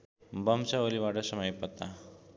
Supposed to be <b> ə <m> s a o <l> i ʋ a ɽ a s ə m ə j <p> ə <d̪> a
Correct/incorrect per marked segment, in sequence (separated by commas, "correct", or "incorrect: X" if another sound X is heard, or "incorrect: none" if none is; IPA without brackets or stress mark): correct, correct, correct, correct, incorrect: t̪